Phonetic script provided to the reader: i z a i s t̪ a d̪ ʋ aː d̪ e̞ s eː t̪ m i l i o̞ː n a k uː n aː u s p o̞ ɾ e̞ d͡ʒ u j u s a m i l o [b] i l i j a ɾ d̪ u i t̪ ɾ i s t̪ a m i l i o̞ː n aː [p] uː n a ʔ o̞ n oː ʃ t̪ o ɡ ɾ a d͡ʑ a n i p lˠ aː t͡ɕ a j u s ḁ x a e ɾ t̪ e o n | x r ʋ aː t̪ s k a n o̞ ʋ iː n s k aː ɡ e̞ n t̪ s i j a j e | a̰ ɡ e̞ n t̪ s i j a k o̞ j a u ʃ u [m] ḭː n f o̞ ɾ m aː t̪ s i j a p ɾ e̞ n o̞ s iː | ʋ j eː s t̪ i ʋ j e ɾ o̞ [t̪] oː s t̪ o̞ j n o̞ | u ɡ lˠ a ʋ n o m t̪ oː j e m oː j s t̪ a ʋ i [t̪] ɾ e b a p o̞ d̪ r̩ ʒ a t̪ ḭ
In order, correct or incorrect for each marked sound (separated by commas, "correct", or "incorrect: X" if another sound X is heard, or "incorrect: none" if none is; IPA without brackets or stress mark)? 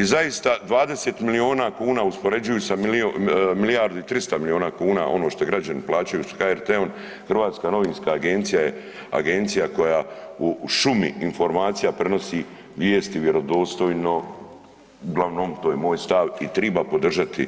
incorrect: m, incorrect: k, correct, incorrect: d̪, correct